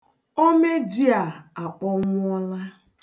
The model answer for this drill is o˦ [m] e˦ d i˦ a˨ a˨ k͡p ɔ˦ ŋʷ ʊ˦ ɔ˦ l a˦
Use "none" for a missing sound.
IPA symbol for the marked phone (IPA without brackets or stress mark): m